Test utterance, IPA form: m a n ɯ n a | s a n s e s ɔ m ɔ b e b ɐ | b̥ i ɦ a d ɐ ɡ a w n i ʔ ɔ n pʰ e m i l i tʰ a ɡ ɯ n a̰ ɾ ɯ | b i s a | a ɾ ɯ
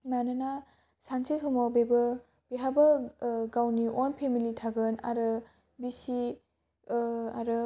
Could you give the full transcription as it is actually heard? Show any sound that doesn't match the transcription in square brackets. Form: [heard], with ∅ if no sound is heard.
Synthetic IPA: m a n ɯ n a | s a n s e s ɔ m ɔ b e b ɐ | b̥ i ɦ a [b] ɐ ɡ a w n i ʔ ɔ n pʰ e m i l i tʰ a ɡ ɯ n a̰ ɾ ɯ | b i s [i] | a ɾ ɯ